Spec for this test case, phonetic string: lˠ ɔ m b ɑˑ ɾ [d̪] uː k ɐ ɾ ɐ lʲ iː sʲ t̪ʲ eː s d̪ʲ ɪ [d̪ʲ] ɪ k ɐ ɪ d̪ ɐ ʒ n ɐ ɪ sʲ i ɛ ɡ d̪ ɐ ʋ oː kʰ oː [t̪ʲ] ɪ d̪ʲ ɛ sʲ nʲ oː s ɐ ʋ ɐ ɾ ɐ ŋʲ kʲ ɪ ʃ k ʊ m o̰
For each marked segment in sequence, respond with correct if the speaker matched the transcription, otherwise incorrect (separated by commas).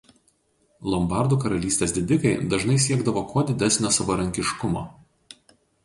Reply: correct, correct, incorrect